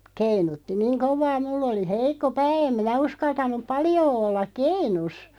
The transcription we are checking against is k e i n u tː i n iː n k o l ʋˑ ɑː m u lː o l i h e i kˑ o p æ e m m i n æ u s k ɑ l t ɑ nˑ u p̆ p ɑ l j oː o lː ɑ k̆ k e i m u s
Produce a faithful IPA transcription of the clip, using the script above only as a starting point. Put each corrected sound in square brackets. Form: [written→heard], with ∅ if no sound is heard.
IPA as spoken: k e i n u tː i n iː [n→ŋ] k o [l→∅] ʋˑ ɑː m u lː o l i h e i kˑ o p [æ→æː] e m m i n æ u s k ɑ l t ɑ nˑ u p̆ p ɑ l j oː o lː ɑ k̆ k e i [m→n] u s